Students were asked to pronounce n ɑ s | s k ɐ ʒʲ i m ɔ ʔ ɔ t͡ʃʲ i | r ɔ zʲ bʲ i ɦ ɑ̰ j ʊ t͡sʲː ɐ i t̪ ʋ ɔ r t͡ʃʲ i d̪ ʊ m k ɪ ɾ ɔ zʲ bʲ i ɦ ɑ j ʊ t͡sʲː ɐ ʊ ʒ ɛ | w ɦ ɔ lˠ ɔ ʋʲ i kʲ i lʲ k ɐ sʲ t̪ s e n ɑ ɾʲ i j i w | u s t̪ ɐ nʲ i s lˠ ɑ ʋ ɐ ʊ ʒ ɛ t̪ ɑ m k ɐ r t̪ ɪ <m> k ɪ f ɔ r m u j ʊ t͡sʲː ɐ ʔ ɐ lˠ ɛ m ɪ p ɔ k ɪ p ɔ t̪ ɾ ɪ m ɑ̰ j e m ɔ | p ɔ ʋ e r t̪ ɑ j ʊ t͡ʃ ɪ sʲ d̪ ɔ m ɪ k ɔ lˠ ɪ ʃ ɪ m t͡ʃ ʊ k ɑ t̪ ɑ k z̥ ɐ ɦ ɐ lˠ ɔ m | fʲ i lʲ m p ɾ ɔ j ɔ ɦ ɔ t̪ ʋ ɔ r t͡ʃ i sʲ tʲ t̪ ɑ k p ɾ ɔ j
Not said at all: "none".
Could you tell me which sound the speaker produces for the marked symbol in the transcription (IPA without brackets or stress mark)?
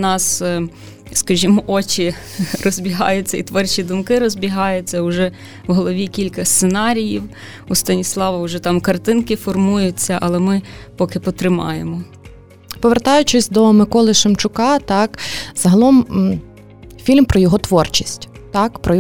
n